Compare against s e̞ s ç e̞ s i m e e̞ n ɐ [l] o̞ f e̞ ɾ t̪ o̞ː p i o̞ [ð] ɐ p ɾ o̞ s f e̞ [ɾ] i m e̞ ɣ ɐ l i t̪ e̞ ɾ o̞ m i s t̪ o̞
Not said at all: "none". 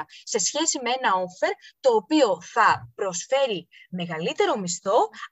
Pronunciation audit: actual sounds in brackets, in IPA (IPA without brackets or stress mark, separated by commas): none, θ, ɾ